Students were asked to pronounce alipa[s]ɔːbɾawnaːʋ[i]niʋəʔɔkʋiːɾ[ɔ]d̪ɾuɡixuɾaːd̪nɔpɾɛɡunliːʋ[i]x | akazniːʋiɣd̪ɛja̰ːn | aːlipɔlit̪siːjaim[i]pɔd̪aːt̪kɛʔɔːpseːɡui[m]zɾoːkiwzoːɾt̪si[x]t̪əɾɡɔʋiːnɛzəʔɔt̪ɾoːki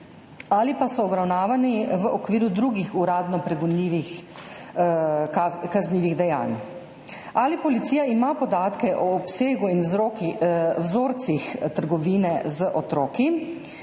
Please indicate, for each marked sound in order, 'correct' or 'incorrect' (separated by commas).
correct, incorrect, incorrect, correct, incorrect, incorrect, correct